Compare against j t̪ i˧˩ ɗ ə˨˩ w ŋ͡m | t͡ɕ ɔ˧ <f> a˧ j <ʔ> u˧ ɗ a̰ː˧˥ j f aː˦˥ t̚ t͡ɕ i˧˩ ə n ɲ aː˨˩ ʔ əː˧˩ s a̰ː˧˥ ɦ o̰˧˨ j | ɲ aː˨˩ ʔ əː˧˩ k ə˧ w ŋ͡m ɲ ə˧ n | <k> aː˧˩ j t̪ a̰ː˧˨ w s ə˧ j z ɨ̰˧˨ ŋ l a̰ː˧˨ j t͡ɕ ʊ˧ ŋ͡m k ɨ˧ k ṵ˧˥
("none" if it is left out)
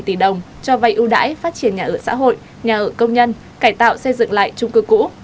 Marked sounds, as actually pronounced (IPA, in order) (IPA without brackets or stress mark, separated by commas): v, ʔ, k